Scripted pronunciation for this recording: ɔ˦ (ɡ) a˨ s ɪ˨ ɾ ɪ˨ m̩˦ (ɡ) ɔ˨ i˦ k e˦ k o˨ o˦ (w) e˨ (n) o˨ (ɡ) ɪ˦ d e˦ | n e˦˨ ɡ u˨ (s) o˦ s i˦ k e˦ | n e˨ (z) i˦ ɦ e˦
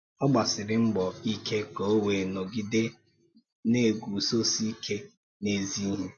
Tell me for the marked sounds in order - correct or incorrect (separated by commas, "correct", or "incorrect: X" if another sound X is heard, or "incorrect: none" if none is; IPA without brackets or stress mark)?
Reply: incorrect: ɡ͡b, incorrect: ɡ͡b, correct, correct, correct, correct, correct